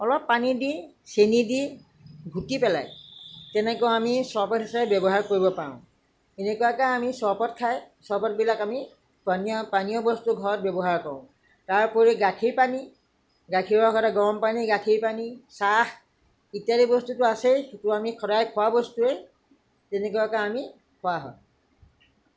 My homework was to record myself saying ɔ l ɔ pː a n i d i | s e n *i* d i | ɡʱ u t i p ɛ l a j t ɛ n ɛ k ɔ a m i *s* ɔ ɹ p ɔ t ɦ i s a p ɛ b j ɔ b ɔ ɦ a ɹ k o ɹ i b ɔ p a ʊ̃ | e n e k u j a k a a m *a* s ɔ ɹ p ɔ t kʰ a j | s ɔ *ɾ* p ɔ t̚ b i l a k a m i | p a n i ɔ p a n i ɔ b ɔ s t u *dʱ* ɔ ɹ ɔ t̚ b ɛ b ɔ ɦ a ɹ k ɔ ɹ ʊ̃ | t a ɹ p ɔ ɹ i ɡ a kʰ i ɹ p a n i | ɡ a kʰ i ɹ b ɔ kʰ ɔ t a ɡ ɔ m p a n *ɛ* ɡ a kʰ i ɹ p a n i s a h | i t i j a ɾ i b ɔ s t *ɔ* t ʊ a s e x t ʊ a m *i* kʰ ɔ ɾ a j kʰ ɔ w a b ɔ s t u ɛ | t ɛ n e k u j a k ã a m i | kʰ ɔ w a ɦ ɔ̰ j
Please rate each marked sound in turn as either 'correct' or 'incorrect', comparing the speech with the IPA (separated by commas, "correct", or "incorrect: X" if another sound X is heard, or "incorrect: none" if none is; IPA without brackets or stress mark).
correct, correct, incorrect: i, incorrect: ɹ, incorrect: ɡʱ, incorrect: i, incorrect: u, correct